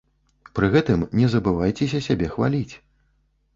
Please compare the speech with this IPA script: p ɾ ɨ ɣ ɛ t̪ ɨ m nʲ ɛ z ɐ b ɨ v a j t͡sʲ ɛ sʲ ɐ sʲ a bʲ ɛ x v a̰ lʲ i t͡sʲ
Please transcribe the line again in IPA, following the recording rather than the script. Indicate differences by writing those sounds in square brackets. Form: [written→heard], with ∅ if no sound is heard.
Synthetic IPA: p ɾ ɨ ɣ ɛ t̪ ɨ m nʲ ɛ z ɐ b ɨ v a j t͡sʲ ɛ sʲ ɐ sʲ a bʲ ɛ x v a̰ lʲ i t͡sʲ